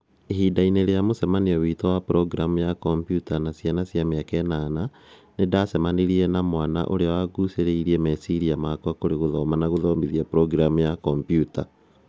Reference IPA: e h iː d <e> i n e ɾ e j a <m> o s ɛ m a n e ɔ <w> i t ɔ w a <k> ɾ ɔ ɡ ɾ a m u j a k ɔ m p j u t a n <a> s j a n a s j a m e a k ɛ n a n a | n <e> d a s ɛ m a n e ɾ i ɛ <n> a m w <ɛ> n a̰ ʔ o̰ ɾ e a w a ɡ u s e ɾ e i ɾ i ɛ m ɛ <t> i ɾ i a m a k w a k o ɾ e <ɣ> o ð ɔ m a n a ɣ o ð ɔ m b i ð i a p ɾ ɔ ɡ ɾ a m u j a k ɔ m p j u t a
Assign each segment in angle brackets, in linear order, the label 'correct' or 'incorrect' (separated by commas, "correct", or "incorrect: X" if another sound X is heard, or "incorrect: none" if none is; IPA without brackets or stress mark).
incorrect: a, correct, correct, incorrect: p, correct, correct, correct, incorrect: a, incorrect: s, correct